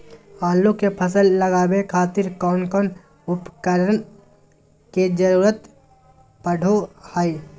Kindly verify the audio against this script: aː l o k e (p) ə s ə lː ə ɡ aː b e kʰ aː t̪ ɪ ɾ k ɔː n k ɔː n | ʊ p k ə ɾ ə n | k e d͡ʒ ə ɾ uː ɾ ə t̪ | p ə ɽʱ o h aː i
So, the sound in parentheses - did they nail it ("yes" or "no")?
no